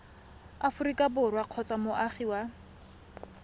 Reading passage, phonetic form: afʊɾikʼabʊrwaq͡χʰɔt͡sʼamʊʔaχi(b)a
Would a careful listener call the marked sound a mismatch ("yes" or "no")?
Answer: yes